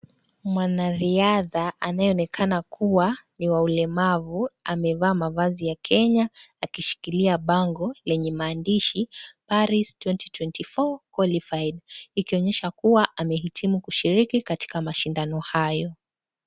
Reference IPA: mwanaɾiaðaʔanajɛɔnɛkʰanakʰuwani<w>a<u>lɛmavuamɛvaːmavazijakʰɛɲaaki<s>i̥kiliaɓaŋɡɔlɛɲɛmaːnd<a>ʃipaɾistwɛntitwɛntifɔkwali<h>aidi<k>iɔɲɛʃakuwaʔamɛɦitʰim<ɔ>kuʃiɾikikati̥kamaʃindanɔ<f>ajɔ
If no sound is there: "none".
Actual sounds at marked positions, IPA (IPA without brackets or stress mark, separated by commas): w, u, ʃ, i, f, k, u, h